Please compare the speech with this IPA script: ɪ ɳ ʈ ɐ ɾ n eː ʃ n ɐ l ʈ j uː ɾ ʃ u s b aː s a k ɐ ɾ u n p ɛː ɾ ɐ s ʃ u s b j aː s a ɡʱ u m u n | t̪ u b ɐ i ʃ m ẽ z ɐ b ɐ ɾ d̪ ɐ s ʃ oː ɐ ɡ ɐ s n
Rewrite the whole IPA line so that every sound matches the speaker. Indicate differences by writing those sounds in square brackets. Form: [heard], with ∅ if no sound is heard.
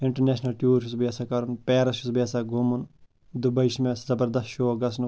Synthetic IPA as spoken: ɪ ɳ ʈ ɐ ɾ n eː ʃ n ɐ l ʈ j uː ɾ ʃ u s b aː s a k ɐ ɾ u n p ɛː ɾ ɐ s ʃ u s b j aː s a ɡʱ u m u n | [d̪] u b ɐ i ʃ m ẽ z ɐ b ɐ ɾ d̪ ɐ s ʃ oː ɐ ɡ ɐ s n